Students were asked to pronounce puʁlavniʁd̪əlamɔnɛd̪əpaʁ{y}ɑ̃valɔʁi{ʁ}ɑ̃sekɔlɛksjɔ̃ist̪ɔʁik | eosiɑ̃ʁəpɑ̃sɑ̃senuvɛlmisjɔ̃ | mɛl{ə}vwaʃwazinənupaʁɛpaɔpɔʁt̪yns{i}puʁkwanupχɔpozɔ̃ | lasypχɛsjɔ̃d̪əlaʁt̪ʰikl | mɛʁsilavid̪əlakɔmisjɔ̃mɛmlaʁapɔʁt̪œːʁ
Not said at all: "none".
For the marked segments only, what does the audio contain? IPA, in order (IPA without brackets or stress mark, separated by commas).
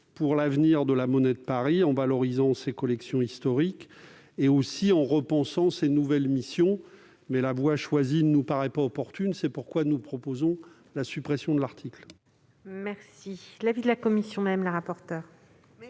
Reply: i, z, a, ɛ